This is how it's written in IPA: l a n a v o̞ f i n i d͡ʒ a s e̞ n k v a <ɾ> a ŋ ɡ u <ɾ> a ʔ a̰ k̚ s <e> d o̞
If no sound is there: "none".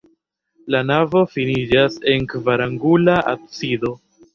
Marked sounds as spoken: ɾ, l, i

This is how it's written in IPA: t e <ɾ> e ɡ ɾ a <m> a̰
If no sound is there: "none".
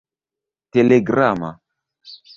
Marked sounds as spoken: l, m

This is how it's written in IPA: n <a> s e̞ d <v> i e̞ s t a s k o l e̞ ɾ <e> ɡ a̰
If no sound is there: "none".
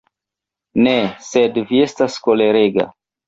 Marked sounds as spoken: e, v, e

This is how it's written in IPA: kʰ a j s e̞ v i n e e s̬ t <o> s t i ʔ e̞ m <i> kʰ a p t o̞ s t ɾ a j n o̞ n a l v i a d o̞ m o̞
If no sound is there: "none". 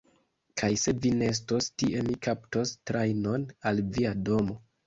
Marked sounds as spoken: o, i

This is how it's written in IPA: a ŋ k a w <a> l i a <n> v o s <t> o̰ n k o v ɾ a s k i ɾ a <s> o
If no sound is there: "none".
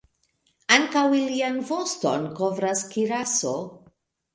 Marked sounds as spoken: i, n, t, s

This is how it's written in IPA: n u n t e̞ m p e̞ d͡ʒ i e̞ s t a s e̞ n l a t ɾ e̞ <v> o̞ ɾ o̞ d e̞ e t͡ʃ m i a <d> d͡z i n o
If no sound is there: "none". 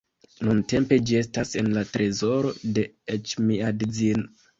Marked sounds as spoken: z, d

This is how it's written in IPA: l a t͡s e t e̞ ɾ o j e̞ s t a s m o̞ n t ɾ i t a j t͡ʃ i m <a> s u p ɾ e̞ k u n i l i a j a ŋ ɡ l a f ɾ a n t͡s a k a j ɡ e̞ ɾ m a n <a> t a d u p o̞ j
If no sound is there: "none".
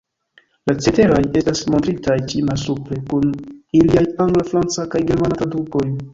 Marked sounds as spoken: a, a

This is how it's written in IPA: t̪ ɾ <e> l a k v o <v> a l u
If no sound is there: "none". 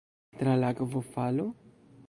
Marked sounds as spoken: a, f

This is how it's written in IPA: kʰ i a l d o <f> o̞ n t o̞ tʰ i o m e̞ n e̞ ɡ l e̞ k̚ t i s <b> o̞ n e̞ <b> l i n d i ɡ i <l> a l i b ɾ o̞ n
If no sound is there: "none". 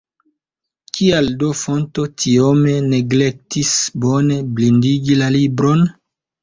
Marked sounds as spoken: f, b, b, l

